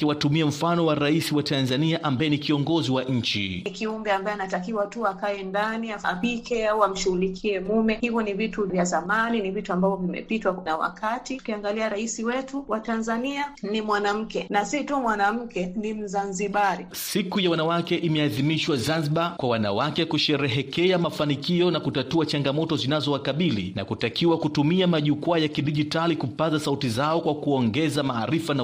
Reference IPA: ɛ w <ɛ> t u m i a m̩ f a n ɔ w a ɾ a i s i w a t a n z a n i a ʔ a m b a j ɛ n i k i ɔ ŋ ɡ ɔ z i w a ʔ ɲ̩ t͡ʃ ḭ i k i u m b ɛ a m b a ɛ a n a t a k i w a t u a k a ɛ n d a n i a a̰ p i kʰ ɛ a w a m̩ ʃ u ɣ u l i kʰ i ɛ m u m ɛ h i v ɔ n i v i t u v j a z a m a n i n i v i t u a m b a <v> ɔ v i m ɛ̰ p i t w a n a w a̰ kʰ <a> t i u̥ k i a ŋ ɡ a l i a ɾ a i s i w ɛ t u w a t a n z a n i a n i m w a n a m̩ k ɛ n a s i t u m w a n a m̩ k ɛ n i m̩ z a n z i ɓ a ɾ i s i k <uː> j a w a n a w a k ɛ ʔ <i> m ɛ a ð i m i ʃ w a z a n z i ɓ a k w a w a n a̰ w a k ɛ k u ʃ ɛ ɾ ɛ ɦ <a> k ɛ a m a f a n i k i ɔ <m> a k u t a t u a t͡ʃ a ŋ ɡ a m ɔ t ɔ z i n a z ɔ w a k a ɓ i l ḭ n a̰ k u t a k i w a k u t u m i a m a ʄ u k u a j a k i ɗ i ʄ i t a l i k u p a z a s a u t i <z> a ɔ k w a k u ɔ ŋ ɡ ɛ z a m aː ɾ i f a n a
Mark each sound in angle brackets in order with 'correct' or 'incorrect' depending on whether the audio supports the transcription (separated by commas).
incorrect, correct, correct, incorrect, correct, incorrect, incorrect, correct